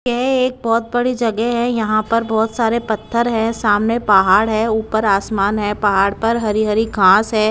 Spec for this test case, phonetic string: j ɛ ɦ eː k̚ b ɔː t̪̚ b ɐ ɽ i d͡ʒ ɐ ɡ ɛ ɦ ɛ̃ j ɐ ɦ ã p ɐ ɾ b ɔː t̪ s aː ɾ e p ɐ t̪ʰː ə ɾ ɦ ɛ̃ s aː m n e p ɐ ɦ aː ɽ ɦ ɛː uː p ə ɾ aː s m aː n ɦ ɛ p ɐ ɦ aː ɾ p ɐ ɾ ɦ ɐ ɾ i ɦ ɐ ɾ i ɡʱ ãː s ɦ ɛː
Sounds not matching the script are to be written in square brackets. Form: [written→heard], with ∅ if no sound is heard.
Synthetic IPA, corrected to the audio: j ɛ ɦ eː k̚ b ɔː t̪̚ b ɐ ɽ i d͡ʒ ɐ ɡ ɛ ɦ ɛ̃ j ɐ ɦ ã p ɐ ɾ b ɔː t̪ s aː ɾ e p ɐ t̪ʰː ə ɾ ɦ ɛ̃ s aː m n e p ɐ ɦ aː ɽ ɦ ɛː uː p ə ɾ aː s m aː n ɦ ɛ p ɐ ɦ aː [ɾ→ɽ] p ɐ ɾ ɦ ɐ ɾ i ɦ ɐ ɾ i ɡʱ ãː s ɦ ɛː